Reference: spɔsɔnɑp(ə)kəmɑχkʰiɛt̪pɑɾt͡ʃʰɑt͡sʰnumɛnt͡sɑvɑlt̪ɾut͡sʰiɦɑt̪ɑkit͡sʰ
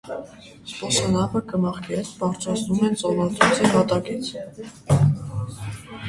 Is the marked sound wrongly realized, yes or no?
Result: no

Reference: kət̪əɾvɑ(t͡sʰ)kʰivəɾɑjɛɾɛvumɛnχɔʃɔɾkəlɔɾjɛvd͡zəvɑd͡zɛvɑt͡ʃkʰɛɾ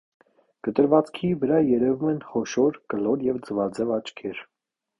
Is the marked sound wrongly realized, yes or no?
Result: yes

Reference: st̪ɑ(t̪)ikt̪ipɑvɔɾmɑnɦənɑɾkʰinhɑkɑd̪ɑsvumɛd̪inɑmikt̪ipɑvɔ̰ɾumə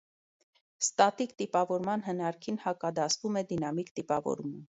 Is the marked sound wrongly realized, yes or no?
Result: no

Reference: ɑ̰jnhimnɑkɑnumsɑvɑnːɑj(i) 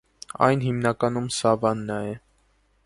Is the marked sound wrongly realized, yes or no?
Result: yes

